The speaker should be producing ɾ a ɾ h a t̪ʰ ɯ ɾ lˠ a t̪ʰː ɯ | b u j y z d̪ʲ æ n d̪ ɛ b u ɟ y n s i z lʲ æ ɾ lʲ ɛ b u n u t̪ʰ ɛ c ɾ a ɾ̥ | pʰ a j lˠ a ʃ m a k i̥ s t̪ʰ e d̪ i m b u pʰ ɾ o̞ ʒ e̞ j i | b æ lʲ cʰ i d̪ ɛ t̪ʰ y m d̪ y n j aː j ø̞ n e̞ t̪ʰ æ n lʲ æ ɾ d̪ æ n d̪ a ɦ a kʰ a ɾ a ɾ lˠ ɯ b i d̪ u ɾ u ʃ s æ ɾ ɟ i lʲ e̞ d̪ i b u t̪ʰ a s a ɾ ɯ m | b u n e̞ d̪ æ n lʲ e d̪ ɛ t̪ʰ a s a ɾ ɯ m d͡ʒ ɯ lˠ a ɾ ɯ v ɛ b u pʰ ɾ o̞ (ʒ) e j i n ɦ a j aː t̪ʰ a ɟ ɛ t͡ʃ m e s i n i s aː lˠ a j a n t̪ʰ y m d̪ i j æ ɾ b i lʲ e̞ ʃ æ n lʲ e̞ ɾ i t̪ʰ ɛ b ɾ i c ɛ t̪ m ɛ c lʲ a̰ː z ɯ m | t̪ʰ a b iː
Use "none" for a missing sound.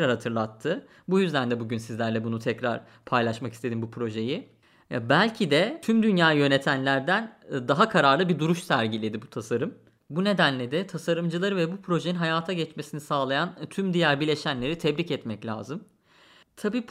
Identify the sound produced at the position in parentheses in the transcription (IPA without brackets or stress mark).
ʒ